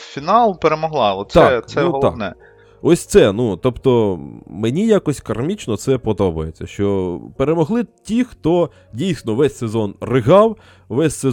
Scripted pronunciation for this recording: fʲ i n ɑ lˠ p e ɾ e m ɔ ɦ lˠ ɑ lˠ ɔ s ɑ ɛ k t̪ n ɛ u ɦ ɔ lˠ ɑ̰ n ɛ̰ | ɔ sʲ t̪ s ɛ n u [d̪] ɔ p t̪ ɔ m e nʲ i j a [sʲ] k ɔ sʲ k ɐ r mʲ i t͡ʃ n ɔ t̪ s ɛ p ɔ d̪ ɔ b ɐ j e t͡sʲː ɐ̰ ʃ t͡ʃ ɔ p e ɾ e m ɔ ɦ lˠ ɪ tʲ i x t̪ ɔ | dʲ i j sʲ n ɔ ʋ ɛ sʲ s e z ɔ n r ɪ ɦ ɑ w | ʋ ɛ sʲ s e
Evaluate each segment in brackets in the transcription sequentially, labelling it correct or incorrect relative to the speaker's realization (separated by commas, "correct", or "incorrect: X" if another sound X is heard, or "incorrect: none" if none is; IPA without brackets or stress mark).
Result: incorrect: t̪, incorrect: none